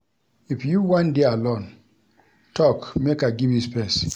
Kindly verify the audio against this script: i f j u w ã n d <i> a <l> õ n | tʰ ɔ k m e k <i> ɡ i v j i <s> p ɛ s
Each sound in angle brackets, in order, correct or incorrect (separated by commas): incorrect, correct, incorrect, correct